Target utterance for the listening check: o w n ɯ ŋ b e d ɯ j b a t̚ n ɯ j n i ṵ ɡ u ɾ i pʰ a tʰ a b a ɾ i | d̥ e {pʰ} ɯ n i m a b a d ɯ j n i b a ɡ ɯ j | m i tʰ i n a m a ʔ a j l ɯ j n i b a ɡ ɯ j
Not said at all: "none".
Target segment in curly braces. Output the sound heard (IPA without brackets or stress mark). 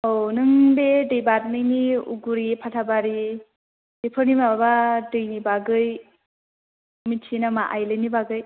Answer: pʰ